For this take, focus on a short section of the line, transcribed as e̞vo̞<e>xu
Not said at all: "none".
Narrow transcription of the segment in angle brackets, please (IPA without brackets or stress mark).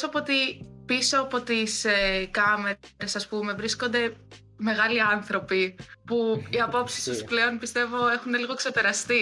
e